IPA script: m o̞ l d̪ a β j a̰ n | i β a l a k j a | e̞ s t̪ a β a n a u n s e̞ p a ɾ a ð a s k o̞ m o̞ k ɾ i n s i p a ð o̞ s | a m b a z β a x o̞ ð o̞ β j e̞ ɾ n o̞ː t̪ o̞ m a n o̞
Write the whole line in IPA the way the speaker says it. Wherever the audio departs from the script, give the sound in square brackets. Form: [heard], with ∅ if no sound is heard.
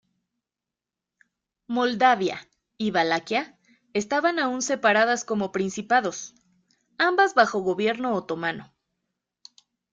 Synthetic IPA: m o̞ l d̪ a β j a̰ [∅] | i β a l a k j a | e̞ s t̪ a β a n a u n s e̞ p a ɾ a ð a s k o̞ m o̞ [p] ɾ i n s i p a ð o̞ s | a m b a z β a x o̞ [ɣ] o̞ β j e̞ ɾ n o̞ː t̪ o̞ m a n o̞